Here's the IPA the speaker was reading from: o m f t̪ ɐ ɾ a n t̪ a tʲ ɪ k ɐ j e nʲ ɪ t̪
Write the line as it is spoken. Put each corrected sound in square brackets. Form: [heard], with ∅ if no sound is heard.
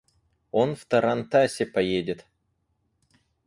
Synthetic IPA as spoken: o [n] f t̪ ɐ ɾ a n t̪ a [sʲ] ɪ [p] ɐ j e [dʲ] ɪ t̪